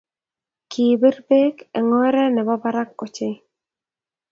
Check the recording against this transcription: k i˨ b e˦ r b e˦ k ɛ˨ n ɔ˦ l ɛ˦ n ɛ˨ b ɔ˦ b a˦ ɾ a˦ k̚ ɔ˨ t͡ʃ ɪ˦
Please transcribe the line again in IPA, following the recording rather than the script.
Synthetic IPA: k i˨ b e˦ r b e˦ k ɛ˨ ŋ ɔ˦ ɾ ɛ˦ n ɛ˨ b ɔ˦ b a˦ ɾ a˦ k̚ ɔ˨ t͡ʃ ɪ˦